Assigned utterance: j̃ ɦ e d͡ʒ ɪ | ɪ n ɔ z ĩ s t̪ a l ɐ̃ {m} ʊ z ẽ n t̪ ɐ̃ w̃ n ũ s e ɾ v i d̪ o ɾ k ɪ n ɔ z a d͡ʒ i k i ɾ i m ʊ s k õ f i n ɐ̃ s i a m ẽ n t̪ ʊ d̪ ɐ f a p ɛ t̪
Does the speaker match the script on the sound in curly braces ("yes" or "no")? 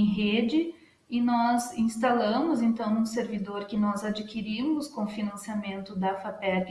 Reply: yes